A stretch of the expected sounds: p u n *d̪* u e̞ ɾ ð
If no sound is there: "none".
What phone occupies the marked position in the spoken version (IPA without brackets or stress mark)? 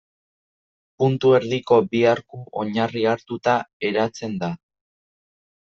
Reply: t̪